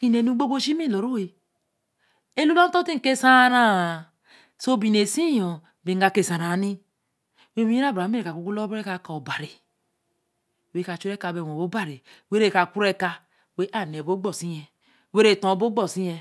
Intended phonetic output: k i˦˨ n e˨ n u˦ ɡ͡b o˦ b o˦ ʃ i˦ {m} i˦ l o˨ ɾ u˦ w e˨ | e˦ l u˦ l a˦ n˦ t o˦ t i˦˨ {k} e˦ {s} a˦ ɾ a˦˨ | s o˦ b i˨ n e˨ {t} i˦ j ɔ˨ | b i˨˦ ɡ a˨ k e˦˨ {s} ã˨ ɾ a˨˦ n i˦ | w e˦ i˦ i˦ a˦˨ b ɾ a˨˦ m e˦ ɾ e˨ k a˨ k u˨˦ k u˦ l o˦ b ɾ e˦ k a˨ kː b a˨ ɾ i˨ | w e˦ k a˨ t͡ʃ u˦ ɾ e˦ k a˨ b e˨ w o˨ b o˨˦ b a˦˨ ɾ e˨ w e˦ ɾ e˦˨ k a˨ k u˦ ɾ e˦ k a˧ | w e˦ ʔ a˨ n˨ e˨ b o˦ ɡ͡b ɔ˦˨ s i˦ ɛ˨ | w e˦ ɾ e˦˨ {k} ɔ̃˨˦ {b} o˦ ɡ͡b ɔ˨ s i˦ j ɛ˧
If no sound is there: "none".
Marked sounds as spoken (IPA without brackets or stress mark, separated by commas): m, k, s, s, s, t, b